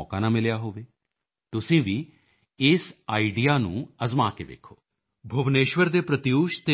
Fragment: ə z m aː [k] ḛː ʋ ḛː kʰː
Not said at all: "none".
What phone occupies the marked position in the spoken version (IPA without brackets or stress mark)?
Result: k